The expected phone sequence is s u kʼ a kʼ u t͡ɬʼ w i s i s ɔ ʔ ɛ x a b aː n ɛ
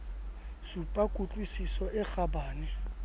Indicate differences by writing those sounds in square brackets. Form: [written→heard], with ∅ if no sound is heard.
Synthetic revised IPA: s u [kʼ→pʼ] a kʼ u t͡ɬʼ w i s i s ɔ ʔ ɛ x a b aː n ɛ